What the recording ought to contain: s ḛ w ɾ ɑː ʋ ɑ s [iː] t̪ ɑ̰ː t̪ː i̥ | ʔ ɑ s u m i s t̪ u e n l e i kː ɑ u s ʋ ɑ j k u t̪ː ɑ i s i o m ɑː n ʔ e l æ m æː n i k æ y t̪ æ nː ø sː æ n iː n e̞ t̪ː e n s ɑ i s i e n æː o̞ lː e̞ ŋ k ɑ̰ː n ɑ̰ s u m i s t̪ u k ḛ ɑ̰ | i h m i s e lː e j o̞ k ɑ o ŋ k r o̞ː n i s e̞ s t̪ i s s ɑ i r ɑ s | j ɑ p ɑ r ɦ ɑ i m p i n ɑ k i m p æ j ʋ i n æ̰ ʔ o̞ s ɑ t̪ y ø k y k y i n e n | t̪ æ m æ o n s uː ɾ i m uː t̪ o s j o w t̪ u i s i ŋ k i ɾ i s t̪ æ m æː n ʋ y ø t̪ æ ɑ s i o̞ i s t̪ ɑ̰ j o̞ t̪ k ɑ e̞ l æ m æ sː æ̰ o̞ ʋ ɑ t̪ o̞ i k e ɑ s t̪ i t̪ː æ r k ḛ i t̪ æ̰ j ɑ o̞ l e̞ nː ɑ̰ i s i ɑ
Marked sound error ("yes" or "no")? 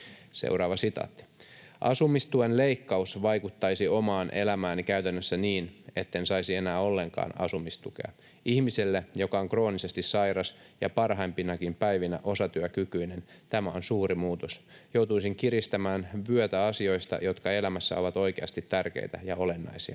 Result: yes